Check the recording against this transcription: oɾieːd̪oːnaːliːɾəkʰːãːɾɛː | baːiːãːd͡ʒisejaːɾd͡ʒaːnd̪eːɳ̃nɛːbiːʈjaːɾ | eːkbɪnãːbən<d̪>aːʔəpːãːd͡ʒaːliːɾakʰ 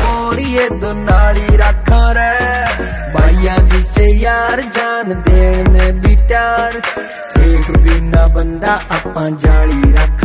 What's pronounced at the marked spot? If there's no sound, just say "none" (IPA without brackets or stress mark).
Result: d̪